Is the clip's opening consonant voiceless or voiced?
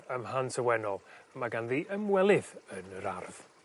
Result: voiced